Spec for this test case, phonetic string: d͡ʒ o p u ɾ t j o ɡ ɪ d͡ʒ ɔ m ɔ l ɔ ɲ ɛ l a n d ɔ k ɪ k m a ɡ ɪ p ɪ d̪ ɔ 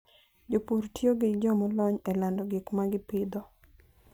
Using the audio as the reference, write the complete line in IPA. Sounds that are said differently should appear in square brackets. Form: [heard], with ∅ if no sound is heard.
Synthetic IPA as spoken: d͡ʒ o p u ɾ t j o ɡ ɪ d͡ʒ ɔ m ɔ l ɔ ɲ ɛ l a n d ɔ [ɡ] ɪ k m a ɡ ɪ p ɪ d̪ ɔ

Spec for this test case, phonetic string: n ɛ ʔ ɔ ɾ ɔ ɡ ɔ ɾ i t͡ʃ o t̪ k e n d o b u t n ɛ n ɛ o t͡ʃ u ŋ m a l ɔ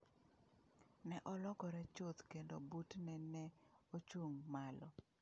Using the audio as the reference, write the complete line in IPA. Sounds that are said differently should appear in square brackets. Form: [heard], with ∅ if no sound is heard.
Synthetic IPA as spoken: n ɛ ʔ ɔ [l] ɔ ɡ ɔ ɾ [ɛ] t͡ʃ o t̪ k e n d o b u t n ɛ n ɛ o t͡ʃ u ŋ m a l ɔ

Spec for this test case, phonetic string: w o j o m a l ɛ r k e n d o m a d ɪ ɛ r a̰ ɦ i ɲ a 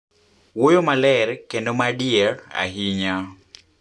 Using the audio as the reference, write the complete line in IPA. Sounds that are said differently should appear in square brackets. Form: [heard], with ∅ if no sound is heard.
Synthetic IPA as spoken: w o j o m a l ɛ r k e n d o m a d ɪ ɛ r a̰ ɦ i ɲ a

